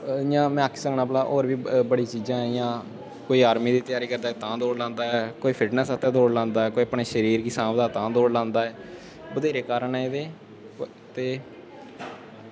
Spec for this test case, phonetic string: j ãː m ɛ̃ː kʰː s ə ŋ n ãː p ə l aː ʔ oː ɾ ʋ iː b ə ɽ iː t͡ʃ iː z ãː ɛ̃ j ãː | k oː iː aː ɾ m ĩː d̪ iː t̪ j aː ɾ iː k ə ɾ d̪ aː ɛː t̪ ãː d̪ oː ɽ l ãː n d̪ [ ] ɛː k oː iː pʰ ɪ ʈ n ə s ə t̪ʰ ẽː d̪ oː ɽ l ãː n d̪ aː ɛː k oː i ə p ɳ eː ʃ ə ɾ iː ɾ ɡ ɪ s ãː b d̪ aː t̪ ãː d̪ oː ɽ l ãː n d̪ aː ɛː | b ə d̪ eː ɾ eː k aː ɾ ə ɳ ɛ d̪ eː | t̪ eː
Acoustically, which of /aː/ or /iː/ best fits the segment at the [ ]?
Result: aː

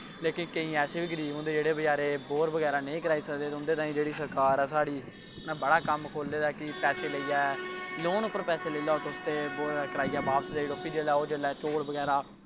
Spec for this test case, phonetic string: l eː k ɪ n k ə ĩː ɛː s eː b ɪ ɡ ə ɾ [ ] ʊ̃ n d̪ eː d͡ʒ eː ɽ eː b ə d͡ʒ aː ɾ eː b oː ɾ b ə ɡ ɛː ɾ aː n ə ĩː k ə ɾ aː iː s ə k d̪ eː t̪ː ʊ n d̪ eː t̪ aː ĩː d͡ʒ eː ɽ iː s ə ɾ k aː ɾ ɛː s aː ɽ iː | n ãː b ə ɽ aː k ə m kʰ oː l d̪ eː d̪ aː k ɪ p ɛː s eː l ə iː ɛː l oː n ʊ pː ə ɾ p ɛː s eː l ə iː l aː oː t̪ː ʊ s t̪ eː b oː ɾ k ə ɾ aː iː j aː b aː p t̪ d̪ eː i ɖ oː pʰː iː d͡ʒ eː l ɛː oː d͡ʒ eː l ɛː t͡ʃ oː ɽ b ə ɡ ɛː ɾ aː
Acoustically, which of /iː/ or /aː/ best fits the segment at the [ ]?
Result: iː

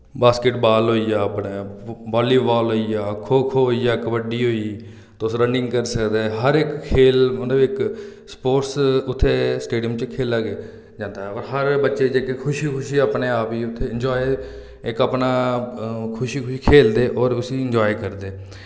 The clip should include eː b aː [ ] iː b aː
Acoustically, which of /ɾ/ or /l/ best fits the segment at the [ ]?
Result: l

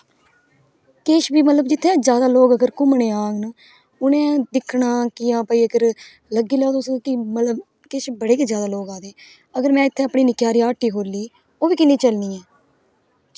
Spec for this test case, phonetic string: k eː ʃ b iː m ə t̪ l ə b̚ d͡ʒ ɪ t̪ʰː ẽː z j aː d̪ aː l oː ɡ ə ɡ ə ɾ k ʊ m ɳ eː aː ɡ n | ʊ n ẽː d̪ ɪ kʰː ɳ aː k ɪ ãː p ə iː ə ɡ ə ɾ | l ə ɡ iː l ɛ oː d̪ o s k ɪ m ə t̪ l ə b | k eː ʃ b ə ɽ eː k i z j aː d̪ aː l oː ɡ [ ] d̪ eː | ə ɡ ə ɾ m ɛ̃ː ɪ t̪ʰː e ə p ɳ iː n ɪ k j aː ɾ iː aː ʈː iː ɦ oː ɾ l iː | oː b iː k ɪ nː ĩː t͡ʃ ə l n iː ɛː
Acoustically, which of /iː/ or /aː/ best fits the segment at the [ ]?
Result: aː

